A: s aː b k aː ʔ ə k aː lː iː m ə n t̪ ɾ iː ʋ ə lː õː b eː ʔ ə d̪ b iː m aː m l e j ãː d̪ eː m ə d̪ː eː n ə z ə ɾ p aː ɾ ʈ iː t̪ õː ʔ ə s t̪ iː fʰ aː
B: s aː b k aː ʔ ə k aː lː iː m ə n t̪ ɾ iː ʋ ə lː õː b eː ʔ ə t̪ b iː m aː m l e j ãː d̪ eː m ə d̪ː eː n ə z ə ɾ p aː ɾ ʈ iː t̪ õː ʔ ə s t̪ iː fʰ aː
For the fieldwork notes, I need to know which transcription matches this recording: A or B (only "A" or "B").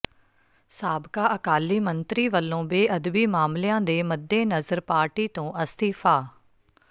A